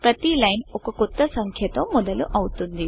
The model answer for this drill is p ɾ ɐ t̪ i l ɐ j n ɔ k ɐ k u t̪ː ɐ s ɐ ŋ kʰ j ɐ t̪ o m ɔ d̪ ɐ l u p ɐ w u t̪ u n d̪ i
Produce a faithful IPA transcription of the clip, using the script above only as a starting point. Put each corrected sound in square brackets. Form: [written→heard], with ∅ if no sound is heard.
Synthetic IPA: p ɾ ɐ t̪ i l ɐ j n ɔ k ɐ k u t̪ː ɐ s ɐ ŋ kʰ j ɐ t̪ o m ɔ d̪ ɐ l u [p→ʔ] ɐ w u t̪ u n d̪ i